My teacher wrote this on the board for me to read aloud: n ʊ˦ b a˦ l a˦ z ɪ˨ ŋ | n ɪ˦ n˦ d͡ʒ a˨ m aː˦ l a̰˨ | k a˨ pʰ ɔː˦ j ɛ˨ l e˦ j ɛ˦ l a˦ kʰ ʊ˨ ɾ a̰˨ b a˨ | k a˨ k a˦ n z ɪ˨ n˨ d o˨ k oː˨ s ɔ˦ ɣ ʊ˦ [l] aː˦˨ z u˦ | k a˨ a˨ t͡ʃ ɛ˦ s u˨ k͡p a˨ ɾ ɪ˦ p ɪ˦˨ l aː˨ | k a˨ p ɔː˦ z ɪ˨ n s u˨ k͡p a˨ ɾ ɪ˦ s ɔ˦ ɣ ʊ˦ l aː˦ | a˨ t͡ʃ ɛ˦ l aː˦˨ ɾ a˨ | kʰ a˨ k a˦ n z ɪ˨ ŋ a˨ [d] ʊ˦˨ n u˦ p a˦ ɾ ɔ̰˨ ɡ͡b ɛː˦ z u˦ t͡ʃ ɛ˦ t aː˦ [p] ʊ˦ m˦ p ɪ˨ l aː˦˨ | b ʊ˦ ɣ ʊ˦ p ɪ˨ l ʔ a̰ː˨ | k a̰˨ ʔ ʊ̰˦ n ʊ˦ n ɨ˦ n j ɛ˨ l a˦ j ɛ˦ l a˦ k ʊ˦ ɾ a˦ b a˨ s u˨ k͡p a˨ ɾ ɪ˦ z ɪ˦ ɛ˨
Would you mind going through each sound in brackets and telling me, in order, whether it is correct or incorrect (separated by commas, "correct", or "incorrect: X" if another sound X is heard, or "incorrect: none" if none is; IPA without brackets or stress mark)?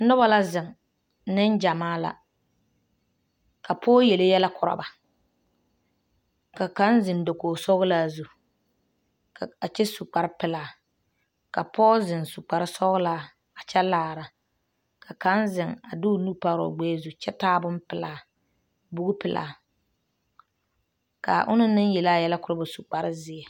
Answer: correct, correct, incorrect: b